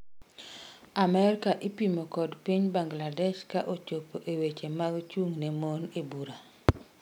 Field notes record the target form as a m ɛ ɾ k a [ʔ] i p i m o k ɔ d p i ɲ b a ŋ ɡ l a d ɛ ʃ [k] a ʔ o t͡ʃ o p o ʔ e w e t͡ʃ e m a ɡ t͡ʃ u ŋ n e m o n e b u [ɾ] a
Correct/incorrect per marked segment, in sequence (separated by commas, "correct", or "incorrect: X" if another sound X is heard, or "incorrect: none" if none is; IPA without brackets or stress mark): correct, correct, correct